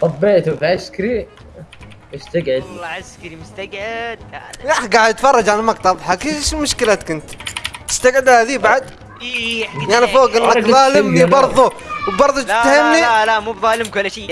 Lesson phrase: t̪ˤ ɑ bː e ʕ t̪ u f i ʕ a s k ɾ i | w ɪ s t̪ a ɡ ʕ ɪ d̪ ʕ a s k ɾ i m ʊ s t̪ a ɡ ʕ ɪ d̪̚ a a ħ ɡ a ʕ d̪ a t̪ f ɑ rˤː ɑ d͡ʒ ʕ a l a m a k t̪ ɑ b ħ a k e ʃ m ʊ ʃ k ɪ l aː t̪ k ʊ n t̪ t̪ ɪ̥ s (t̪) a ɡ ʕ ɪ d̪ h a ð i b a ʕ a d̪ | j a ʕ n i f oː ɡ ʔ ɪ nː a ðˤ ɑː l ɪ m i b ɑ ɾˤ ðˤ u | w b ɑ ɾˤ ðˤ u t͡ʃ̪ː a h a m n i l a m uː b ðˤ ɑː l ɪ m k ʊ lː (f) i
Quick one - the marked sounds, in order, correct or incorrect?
correct, incorrect: ʃ

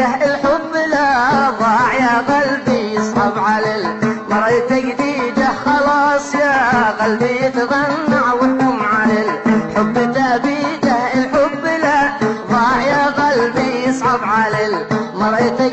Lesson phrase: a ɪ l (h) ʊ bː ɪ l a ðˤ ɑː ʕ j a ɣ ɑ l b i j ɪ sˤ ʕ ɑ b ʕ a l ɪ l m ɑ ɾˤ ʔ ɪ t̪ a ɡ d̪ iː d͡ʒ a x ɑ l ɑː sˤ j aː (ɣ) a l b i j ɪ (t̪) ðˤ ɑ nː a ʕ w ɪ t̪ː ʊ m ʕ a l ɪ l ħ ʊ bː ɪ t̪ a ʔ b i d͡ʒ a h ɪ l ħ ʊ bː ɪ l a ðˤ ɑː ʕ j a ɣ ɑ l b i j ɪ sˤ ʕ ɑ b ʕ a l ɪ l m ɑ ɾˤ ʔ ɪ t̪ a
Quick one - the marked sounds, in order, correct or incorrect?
incorrect: ħ, correct, correct

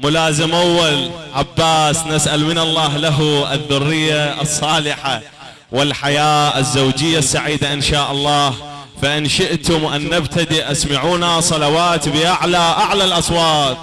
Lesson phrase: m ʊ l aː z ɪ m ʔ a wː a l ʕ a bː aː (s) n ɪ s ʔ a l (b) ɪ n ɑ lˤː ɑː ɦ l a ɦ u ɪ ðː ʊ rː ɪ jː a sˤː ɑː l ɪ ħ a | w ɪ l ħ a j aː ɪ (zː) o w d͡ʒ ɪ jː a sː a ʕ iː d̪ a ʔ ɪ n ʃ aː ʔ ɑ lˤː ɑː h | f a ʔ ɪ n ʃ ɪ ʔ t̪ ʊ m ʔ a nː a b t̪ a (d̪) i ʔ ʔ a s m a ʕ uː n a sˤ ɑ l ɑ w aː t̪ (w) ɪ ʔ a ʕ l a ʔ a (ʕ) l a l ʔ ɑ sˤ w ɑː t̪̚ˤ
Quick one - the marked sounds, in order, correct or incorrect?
correct, incorrect: m, correct, correct, incorrect: b, correct

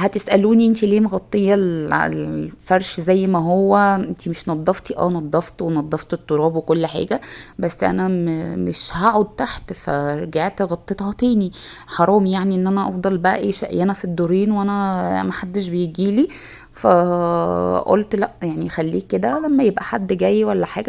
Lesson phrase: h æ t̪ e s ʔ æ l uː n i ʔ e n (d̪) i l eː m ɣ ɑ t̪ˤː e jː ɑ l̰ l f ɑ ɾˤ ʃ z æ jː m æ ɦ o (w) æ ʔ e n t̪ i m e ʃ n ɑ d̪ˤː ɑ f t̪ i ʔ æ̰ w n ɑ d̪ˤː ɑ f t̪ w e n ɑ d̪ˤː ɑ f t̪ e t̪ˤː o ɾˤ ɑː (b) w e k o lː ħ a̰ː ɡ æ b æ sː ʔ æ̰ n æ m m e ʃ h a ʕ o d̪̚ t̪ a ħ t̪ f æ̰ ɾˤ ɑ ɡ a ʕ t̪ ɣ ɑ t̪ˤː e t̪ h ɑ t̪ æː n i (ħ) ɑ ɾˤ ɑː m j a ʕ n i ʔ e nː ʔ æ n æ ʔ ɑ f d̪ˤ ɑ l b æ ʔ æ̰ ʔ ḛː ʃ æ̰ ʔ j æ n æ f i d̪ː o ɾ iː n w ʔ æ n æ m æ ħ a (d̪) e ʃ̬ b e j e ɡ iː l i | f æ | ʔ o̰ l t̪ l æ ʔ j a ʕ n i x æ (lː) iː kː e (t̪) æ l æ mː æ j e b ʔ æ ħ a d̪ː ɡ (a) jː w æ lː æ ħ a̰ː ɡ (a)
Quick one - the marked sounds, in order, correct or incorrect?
incorrect: t̪, incorrect: wː, correct, correct, incorrect: d̪ː, correct, incorrect: d̪, incorrect: æ, incorrect: æ

